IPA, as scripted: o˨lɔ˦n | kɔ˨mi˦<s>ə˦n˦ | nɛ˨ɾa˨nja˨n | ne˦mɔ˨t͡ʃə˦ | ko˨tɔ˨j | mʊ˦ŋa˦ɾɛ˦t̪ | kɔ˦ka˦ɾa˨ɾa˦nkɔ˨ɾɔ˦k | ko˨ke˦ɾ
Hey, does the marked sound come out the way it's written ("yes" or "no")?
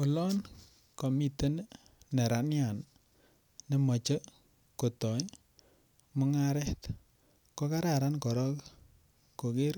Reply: no